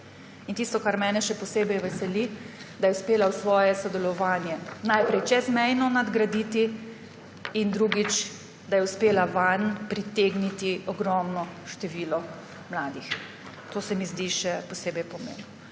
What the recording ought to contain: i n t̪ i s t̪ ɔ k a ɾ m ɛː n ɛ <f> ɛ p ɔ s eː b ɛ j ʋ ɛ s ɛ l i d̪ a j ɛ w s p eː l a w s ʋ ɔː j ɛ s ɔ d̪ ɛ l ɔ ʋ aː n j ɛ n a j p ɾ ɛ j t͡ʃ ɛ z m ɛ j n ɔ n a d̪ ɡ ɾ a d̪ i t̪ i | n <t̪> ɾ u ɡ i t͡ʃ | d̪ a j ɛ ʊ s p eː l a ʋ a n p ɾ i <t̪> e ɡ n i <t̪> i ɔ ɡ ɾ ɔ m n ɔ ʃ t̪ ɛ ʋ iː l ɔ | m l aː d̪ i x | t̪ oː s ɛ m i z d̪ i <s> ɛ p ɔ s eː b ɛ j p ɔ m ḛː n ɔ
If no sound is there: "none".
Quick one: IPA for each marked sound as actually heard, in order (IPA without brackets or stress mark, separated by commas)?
ʃ, d̪, t̪, t̪, ʃ